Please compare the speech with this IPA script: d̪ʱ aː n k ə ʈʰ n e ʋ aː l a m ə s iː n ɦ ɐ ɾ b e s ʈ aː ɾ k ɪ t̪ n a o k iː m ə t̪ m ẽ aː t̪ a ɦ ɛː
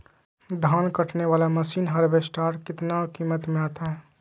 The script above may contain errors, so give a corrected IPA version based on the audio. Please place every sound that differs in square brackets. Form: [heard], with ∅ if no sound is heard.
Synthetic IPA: d̪ʱ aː n k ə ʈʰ n e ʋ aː l a m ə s iː n ɦ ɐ ɾ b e s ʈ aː ɾ k ɪ t̪ n a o k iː m ə t̪ m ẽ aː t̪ a ɦ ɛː